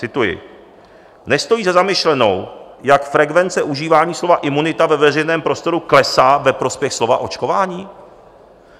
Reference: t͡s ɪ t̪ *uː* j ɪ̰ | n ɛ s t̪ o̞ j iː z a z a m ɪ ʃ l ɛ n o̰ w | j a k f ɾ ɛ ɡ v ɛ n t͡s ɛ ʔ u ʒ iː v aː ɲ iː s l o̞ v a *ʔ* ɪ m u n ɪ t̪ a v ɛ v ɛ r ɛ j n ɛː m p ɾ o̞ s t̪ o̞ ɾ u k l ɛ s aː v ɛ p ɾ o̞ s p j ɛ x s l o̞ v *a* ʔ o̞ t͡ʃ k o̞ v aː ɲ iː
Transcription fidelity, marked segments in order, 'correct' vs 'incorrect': incorrect, correct, correct

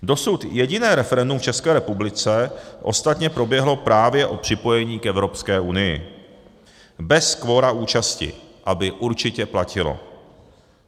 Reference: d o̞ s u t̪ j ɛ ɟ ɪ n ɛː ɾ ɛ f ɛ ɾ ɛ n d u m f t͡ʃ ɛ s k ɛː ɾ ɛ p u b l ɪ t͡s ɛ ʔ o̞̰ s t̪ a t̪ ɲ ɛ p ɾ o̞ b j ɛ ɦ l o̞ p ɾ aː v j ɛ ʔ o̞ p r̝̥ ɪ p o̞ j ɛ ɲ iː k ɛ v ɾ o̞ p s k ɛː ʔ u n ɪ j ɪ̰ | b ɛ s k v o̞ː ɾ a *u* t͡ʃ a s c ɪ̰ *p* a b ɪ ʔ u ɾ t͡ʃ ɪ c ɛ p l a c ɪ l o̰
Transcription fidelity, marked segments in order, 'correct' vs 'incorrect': incorrect, incorrect

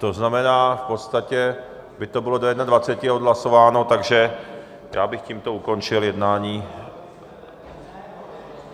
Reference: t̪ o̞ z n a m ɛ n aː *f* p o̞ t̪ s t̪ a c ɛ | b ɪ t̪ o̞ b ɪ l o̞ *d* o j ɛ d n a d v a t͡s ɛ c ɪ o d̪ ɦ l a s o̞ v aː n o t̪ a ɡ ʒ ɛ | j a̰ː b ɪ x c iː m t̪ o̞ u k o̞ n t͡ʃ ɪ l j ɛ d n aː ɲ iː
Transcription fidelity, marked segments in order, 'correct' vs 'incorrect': correct, correct

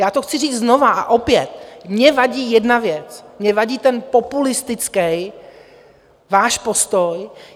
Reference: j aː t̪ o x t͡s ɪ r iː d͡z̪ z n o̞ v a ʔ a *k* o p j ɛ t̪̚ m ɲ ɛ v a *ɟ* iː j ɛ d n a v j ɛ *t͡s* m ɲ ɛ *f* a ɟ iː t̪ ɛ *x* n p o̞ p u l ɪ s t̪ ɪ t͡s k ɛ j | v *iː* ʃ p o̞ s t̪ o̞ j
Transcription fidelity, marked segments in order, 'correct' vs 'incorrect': incorrect, correct, correct, incorrect, incorrect, incorrect

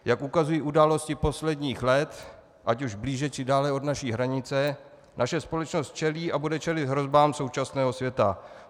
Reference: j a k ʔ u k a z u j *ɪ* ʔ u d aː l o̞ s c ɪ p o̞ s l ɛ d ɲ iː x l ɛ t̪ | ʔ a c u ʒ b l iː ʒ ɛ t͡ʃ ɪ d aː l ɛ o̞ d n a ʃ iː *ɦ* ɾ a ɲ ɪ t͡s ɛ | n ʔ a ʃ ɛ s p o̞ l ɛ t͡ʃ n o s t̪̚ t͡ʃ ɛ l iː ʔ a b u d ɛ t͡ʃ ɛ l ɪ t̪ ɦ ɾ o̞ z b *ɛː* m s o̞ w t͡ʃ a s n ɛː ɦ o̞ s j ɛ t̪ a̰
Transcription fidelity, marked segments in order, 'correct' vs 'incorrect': incorrect, correct, incorrect

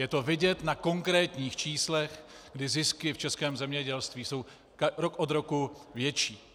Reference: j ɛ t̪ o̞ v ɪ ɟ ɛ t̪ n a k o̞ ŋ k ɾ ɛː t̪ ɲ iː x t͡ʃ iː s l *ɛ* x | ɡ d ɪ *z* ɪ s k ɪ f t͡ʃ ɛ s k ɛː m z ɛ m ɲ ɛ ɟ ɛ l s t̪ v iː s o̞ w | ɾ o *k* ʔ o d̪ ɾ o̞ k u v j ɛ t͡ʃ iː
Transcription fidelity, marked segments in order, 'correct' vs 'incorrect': correct, correct, correct

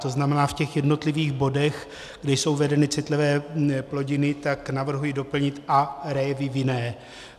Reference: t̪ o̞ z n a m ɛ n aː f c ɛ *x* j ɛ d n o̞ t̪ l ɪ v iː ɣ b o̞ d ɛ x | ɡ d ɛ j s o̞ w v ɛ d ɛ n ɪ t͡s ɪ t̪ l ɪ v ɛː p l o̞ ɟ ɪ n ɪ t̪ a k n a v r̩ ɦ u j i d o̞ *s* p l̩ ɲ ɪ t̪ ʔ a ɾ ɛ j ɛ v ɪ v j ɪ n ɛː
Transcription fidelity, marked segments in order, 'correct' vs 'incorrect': correct, incorrect

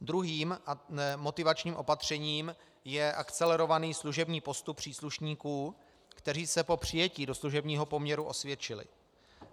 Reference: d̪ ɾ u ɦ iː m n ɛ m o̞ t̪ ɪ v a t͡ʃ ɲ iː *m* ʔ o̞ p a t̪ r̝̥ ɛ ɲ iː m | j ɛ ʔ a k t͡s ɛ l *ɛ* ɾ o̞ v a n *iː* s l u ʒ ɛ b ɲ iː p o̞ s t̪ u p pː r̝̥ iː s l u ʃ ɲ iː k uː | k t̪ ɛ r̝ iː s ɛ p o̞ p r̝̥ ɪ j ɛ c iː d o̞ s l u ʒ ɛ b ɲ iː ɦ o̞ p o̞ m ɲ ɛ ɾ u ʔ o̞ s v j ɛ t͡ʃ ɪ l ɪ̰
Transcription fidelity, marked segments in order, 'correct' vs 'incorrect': correct, correct, correct

